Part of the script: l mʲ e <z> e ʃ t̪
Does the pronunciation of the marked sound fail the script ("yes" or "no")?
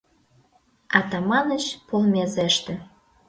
no